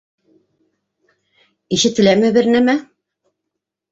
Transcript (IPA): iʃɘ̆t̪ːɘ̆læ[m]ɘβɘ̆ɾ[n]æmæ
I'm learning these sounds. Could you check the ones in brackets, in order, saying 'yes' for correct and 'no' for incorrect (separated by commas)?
yes, yes